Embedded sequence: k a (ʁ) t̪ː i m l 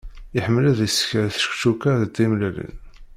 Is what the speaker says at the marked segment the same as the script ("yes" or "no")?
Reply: no